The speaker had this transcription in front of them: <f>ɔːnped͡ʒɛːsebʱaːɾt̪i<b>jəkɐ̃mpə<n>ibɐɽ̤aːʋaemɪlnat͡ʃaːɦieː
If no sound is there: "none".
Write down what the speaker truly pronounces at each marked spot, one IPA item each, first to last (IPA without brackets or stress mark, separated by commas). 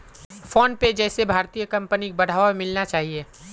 f, none, n